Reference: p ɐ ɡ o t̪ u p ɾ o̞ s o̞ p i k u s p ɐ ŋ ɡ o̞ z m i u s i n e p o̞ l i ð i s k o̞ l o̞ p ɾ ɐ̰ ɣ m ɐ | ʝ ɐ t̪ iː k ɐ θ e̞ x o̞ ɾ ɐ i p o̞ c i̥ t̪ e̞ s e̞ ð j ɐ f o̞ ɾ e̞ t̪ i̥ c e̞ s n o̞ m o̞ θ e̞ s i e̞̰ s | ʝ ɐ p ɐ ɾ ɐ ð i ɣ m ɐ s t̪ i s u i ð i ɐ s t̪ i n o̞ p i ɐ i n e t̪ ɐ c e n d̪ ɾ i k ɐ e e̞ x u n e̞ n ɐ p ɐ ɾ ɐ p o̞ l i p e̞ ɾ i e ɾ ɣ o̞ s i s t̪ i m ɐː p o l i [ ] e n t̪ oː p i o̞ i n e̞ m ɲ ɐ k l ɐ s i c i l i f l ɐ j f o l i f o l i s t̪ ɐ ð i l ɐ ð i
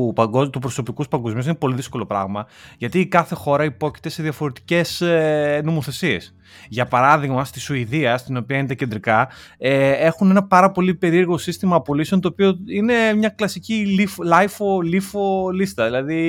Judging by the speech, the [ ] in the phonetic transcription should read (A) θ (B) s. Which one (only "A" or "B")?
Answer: B